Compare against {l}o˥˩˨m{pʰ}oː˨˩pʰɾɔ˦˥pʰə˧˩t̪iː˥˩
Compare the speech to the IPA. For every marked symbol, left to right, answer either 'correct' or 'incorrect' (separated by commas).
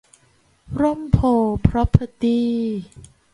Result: incorrect, correct